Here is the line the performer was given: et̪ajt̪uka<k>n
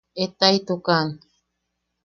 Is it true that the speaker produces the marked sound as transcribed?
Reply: no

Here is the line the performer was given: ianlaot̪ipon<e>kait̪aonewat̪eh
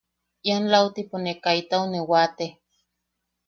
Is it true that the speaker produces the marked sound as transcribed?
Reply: yes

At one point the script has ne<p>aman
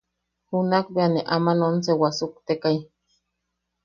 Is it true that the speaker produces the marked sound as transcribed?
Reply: no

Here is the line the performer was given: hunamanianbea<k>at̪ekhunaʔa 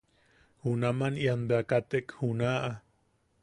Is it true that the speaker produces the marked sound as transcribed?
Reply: yes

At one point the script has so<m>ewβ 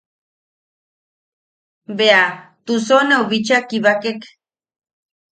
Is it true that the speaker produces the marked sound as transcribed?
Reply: no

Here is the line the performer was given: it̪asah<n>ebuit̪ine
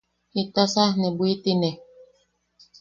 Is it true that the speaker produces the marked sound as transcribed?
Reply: yes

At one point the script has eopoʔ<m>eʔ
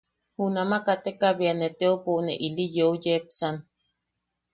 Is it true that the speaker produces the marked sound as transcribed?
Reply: no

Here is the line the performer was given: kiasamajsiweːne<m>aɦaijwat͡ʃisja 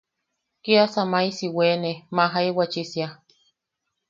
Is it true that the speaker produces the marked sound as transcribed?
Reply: yes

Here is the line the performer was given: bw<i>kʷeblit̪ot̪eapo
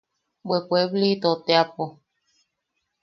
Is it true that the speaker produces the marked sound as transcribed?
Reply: no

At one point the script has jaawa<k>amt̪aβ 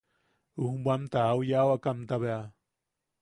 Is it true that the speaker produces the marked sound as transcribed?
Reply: yes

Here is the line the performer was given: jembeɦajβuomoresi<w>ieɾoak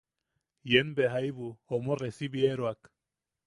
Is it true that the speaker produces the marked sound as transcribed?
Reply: no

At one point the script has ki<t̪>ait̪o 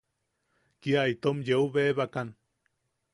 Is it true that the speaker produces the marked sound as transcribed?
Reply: no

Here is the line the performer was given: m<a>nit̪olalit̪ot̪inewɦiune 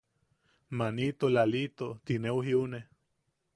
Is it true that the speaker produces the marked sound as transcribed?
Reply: yes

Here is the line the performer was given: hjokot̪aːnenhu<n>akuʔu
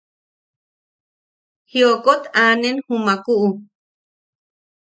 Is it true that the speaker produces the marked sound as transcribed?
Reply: no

